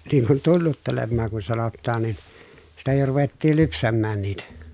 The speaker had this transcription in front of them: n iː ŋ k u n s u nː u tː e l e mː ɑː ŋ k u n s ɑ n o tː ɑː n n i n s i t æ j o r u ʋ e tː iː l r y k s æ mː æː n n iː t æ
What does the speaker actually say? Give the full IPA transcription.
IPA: n iː ŋ k u n t u nː u tː e l e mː ɑː ŋ k u n s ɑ n o tː ɑː n n i n s i t æ j o r u ʋ e tː iː l l y p s æ mː æː n n iː t æ